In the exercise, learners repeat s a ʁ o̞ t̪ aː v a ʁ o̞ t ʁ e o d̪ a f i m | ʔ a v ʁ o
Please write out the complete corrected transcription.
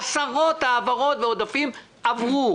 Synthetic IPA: s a ʁ o̞ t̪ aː v a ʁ o̞ t v e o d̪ a f i m | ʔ a v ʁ u